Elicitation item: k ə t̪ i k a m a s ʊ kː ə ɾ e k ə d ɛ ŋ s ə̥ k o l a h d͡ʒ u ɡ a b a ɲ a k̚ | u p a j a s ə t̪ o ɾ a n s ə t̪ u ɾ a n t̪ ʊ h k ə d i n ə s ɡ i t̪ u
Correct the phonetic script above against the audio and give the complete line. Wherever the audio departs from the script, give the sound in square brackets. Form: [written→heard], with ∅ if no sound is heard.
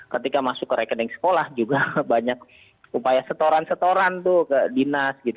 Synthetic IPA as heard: k ə t̪ i k a m a s ʊ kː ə ɾ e k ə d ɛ ŋ s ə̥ k o l a h d͡ʒ u ɡ a b a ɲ a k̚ | u p a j a s ə t̪ o ɾ a n s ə t̪ [u→o] ɾ a n t̪ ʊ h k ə d i n [ə→a] s ɡ i t̪ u